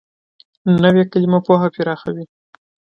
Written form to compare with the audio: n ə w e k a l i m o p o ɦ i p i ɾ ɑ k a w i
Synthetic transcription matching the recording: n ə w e k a l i m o p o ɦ a p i ɾ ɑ x a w i